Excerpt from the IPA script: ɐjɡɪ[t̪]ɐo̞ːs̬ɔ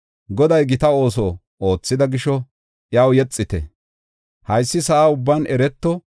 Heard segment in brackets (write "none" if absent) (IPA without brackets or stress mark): t̪